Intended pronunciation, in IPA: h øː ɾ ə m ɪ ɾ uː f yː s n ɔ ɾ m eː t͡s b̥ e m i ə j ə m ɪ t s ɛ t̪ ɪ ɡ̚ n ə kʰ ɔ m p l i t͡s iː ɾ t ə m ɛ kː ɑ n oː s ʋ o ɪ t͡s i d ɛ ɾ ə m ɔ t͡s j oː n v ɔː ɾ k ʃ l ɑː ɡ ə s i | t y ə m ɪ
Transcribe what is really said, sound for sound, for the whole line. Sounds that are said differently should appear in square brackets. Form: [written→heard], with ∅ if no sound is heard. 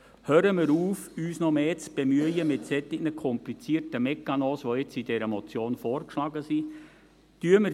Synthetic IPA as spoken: h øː ɾ ə m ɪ ɾ uː f yː s n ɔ [ɾ→∅] m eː t͡s b̥ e m [i→y] ə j ə m ɪ t s ɛ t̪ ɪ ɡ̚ n ə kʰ ɔ m p l i t͡s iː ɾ t ə m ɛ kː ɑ n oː s ʋ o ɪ t͡s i d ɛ ɾ ə m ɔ t͡s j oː n [v→f] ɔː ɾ k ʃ l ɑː ɡ ə s i | t y ə m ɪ

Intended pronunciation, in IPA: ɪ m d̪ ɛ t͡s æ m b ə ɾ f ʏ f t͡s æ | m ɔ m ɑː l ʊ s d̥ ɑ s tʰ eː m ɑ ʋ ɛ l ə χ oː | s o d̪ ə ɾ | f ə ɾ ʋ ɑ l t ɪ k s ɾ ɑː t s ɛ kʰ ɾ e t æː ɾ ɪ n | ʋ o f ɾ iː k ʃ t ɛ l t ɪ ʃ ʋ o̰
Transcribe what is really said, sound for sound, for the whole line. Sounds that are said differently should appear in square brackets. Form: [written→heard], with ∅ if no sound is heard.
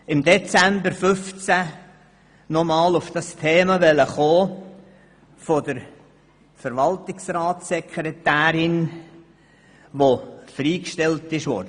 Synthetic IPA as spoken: ɪ m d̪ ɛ t͡s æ m b ə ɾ f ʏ f t͡s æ | [m→n] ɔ m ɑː l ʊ [s→f] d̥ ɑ s tʰ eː m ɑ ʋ ɛ l ə χ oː | [s→f] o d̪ ə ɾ | f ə ɾ ʋ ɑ l t ɪ k s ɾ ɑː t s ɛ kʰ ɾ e t æː ɾ ɪ n | ʋ o f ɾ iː k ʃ t ɛ l t ɪ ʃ ʋ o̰

